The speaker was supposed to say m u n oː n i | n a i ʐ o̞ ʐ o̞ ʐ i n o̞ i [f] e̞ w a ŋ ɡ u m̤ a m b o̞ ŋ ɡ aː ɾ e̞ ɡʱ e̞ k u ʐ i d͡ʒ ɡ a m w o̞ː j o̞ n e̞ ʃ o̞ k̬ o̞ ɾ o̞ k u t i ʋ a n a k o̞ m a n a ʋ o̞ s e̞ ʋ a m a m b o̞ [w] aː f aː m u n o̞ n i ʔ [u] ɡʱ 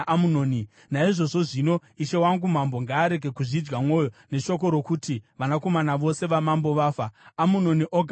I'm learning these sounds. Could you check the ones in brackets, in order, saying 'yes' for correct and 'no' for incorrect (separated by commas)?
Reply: no, no, no